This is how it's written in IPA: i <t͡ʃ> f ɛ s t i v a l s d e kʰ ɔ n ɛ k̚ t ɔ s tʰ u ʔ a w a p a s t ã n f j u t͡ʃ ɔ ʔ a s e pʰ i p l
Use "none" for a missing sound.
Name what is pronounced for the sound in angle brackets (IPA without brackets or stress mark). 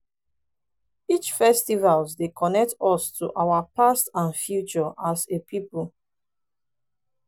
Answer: t͡ʃ